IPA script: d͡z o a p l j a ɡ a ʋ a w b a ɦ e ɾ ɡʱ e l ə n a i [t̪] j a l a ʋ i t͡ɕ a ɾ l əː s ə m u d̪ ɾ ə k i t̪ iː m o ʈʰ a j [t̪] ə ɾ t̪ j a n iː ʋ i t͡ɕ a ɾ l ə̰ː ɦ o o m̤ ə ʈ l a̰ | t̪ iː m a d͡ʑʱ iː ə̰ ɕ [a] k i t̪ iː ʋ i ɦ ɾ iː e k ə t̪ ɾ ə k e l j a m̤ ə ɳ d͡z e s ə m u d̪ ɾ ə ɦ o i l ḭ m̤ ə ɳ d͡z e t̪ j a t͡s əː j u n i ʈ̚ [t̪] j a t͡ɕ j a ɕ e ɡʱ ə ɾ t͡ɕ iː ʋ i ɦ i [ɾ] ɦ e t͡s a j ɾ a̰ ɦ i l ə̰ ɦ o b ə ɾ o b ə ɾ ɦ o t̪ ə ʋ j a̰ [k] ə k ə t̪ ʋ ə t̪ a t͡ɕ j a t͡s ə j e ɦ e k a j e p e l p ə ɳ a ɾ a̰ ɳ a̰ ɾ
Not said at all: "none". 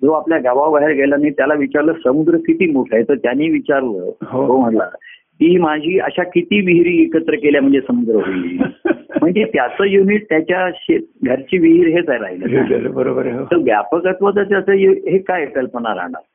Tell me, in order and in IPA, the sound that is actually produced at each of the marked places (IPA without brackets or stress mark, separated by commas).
t̪, t̪, a, t̪, ɾ, p